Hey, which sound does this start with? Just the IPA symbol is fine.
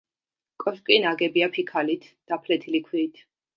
kʼ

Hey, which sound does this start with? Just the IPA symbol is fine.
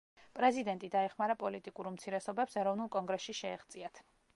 pʼ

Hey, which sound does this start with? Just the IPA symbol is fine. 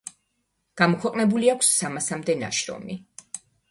ɡ̥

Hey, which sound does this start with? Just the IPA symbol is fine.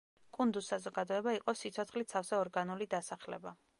kʼ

